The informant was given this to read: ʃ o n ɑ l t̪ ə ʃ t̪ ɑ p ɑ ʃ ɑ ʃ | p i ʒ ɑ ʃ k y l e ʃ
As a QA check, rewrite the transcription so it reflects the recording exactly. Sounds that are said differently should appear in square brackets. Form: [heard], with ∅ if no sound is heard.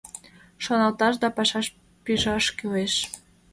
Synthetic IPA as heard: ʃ o n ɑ l t̪ [ɑ] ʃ [d̪] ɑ p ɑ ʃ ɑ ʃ | p i ʒ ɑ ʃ k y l e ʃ